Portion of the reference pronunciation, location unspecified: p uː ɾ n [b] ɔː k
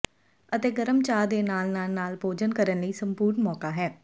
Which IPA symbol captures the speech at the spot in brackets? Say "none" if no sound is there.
m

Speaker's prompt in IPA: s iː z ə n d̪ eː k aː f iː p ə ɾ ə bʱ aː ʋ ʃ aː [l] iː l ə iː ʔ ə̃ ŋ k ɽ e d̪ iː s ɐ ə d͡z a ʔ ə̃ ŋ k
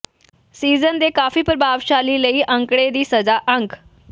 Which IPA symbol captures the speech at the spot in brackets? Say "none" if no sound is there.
l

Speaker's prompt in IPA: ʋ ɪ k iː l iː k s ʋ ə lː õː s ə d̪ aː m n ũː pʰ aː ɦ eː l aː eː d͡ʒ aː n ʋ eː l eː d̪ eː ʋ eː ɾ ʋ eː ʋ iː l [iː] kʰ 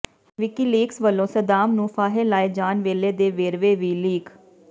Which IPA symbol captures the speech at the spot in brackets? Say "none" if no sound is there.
iː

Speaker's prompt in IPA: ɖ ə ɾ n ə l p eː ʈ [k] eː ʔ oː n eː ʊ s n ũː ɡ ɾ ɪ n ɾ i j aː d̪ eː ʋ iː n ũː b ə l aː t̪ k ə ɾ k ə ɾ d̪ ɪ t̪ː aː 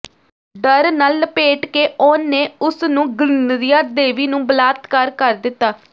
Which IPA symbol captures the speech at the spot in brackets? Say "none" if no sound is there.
k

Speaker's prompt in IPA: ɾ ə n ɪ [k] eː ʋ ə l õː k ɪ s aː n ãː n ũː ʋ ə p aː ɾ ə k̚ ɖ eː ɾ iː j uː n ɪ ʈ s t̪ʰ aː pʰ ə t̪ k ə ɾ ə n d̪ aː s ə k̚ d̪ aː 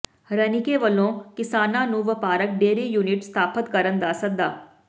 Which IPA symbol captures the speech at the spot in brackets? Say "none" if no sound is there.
k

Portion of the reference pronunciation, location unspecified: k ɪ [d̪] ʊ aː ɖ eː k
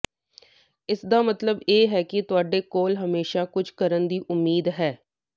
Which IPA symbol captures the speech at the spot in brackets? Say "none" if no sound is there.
t̪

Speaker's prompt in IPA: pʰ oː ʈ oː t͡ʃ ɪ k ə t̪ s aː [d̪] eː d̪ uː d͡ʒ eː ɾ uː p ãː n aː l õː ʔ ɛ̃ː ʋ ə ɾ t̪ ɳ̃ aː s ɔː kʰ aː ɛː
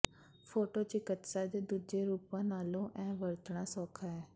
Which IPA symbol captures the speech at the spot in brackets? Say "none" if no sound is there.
d̪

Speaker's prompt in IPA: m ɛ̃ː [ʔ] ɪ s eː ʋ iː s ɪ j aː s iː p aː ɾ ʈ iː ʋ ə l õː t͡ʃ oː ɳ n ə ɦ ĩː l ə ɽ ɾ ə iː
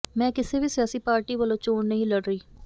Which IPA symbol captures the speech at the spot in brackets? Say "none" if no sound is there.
k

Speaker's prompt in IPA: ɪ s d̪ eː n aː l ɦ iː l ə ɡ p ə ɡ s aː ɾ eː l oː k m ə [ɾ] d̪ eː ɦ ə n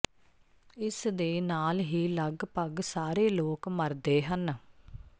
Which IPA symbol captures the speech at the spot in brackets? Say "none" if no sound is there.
ɾ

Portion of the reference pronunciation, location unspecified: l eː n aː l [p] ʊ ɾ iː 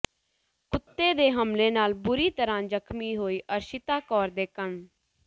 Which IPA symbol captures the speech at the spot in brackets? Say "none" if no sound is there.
b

